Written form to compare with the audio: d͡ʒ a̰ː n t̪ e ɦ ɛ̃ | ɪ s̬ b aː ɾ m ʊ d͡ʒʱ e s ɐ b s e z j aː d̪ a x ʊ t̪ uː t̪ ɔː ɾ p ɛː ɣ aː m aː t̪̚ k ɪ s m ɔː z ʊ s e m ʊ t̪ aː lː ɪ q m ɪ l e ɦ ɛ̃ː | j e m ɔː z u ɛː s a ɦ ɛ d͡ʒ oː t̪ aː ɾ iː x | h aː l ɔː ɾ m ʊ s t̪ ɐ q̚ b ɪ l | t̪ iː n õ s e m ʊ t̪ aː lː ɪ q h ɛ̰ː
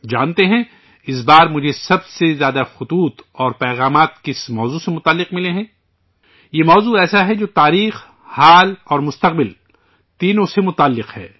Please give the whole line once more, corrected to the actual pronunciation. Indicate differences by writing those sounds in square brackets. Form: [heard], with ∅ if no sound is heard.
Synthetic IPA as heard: d͡ʒ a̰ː n t̪ e ɦ ɛ̃ | ɪ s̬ b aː ɾ m ʊ d͡ʒʱ e s ɐ b s e z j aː d̪ a x ʊ t̪ uː t̪ ɔː ɾ p ɛː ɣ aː m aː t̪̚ k ɪ s m ɔː z [u] s e m ʊ t̪ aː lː ɪ q m ɪ l e ɦ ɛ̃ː | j e m ɔː z u ɛː s a ɦ ɛ d͡ʒ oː t̪ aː ɾ iː x | h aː l ɔː ɾ m ʊ s t̪ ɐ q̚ b ɪ l | t̪ iː n õ s e m ʊ t̪ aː lː ɪ q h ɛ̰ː